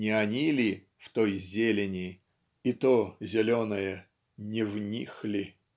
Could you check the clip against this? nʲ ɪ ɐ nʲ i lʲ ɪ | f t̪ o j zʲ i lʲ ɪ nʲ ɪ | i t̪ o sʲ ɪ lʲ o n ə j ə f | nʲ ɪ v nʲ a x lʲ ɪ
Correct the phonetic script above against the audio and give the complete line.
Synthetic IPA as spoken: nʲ ɪ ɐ nʲ i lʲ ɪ | f t̪ o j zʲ e lʲ ɪ nʲ ɪ | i t̪ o zʲ ɪ lʲ o n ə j ə | nʲ ɪ v nʲ i x lʲ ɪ